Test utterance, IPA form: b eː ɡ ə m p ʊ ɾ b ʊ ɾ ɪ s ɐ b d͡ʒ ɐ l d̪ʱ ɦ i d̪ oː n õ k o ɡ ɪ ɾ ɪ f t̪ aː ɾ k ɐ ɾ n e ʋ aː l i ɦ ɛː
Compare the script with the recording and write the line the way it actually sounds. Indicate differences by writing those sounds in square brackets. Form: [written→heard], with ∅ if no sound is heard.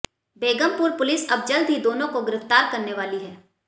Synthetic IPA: b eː ɡ ə m p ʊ ɾ [b→p] ʊ [ɾ→l] ɪ s ɐ b d͡ʒ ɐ l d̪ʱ ɦ i d̪ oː n õ k o ɡ ɪ ɾ ɪ f t̪ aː ɾ k ɐ ɾ n e ʋ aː l i ɦ ɛː